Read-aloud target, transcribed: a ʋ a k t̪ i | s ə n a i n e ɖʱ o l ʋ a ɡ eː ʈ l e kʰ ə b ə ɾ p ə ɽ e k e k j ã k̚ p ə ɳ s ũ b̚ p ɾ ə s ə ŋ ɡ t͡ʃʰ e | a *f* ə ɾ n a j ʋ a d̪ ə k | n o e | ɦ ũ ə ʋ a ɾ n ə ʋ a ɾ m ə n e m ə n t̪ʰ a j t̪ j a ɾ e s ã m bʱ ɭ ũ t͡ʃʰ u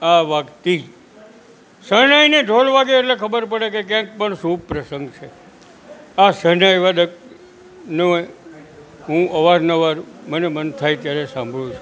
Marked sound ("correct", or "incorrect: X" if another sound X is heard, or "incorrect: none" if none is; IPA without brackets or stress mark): incorrect: s